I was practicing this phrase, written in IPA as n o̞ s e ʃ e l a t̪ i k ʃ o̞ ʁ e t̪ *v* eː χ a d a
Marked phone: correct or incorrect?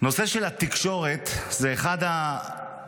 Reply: incorrect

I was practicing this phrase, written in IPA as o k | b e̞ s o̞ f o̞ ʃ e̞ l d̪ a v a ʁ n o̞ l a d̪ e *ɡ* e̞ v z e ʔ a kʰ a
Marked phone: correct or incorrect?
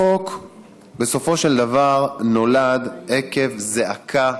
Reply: incorrect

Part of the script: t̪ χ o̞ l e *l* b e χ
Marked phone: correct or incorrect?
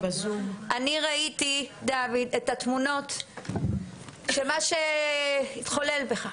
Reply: correct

